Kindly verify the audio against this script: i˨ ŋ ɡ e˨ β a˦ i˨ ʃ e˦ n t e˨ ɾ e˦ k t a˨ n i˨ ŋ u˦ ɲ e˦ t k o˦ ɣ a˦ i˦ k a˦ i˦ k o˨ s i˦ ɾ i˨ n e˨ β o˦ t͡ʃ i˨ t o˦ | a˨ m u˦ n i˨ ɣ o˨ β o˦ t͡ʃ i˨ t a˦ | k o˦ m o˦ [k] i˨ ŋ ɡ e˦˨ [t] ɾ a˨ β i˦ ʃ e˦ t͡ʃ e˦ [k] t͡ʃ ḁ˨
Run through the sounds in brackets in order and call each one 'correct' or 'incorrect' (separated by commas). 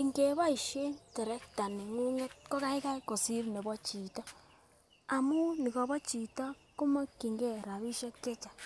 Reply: correct, incorrect, incorrect